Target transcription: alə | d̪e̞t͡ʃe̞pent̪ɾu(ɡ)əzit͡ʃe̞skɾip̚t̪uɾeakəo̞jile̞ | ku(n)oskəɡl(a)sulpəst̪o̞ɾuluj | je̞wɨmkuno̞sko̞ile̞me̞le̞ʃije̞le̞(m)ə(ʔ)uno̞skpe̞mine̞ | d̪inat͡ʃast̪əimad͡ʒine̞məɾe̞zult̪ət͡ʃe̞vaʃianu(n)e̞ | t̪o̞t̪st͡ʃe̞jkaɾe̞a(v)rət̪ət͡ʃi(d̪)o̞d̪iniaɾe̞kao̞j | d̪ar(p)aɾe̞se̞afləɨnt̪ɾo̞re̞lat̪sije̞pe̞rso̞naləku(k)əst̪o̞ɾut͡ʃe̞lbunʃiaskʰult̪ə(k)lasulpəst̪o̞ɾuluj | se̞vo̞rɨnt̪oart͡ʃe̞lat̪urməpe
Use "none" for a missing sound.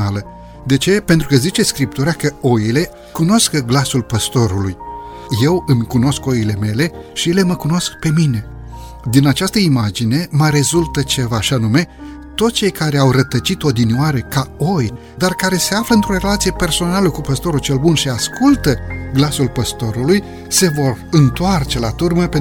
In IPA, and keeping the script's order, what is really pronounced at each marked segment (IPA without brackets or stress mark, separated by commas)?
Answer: k, n, a, m, k, m, w, t̪, k, p, ɡ